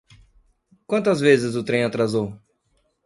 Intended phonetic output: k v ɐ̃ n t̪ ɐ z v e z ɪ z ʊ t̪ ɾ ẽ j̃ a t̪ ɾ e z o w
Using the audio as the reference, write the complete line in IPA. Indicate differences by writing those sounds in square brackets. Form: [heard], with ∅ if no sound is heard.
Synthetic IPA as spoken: k [w] ɐ̃ n t̪ ɐ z v e z ɪ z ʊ t̪ ɾ ẽ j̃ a t̪ ɾ [a] z o w

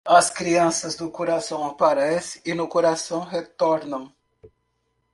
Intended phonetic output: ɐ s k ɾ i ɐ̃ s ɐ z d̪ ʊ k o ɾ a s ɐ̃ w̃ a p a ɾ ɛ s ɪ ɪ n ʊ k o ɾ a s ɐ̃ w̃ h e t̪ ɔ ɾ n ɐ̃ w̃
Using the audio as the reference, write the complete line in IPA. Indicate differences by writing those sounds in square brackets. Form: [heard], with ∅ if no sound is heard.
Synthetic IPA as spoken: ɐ s k ɾ i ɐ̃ s ɐ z d̪ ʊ k o ɾ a s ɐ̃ w̃ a p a ɾ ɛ s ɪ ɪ n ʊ k o ɾ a s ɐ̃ w̃ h e t̪ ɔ ɾ n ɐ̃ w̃

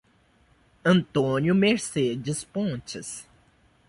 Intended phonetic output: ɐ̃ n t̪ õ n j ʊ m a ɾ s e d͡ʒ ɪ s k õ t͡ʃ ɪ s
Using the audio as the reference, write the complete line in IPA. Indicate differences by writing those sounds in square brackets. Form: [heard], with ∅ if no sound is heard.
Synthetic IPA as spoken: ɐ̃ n t̪ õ n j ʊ m [e] ɾ s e d͡ʒ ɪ s [p] õ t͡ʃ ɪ s

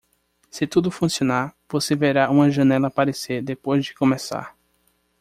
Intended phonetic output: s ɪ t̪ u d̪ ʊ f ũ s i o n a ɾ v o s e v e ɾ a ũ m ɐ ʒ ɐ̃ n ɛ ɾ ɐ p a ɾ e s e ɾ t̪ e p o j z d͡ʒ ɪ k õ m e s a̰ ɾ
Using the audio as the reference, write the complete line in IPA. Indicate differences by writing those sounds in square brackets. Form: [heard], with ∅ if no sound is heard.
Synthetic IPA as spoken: s ɪ t̪ u d̪ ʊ f ũ s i o n a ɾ v o s e v e ɾ a ũ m ɐ ʒ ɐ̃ n ɛ [l] ɐ p a ɾ e s e ɾ [d̪] e p o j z d͡ʒ ɪ k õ m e s a̰ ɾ

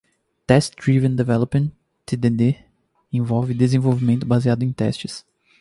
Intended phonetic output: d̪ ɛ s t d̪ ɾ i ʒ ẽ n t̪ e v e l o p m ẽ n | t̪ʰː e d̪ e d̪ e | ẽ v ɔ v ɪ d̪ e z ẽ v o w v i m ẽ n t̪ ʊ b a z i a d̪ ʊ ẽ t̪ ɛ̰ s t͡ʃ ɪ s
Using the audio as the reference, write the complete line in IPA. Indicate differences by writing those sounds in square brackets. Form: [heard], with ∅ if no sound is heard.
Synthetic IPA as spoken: [t̪] ɛ s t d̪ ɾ i [v] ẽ n [d̪] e v [ɛ] l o p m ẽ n | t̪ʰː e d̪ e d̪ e | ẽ v ɔ v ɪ d̪ e z ẽ v o w v i m ẽ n t̪ ʊ b a z i a d̪ ʊ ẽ t̪ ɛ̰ s t͡ʃ ɪ s

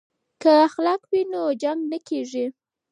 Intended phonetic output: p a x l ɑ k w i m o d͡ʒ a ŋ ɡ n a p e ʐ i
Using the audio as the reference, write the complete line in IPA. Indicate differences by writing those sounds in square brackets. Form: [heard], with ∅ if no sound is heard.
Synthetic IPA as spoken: [k] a x l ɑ k w i [n] o d͡ʒ a ŋ ɡ n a [k] e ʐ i

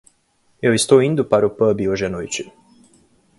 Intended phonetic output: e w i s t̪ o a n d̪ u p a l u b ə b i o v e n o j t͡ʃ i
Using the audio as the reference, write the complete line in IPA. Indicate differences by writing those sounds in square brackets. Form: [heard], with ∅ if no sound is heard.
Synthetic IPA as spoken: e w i s t̪ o [i] n d̪ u p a [ɾ] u [p] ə b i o [ʒ] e n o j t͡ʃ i

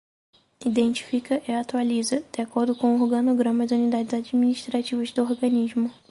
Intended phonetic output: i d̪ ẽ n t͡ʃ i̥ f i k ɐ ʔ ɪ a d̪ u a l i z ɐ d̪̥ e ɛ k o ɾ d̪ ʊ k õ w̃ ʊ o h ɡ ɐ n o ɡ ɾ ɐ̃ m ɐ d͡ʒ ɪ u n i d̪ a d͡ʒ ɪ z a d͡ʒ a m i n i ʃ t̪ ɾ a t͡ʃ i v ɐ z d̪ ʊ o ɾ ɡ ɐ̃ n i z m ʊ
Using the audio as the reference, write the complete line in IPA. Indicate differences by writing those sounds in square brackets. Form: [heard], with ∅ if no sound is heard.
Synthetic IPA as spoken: i d̪ ẽ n t͡ʃ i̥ f i k ɐ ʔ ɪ a [t̪] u a l i z ɐ d̪̥ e [a] k o ɾ d̪ ʊ k õ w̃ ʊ o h ɡ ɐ n o ɡ ɾ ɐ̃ m ɐ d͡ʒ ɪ u n i d̪ a d͡ʒ ɪ z a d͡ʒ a m i n i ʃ t̪ ɾ a t͡ʃ i v ɐ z d̪ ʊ o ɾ ɡ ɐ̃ n i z m ʊ

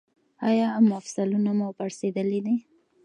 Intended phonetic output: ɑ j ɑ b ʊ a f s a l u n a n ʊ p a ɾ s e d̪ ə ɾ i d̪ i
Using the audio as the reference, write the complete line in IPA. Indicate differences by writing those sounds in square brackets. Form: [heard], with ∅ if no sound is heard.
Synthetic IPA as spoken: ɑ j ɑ [m] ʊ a f s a l u n a [m] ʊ p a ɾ s e d̪ ə [l] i d̪ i

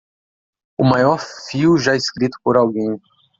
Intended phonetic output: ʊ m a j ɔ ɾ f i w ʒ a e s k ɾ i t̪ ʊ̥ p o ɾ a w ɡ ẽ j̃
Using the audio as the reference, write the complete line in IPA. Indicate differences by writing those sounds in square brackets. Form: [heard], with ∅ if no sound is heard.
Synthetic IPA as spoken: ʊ m a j ɔ ɾ f i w ʒ a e s k ɾ i t̪ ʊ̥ p o ɾ a w ɡ ẽ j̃

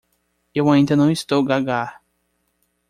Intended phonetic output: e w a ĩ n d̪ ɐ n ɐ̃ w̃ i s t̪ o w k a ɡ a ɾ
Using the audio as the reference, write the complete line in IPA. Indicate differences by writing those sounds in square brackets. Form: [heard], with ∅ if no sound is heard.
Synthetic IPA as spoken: e w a ĩ n d̪ ɐ n ɐ̃ w̃ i s t̪ o w [ɡ] a ɡ a ɾ

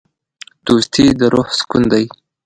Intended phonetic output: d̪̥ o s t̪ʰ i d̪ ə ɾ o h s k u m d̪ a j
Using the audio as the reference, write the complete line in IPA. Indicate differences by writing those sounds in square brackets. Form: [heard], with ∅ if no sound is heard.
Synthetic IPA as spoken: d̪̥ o s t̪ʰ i d̪ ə ɾ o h s k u [n] d̪ a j

